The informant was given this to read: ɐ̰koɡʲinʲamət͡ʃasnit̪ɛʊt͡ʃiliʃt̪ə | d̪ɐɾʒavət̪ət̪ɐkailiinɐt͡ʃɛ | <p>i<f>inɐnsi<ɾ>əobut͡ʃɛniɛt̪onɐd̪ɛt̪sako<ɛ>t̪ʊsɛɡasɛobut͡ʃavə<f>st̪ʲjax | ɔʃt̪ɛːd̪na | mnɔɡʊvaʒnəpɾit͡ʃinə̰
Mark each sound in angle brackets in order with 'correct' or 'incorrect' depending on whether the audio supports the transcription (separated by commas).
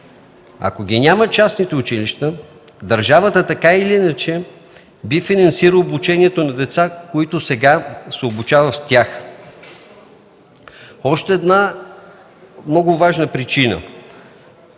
incorrect, correct, correct, incorrect, correct